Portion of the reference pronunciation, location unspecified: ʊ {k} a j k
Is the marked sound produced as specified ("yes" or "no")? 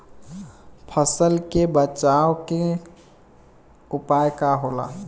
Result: no